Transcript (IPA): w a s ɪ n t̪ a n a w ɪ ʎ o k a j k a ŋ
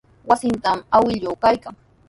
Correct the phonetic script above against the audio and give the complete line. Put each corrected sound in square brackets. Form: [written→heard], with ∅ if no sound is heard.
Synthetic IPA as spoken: w a s ɪ n t̪ a [n→m] a w ɪ ʎ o k a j k a ŋ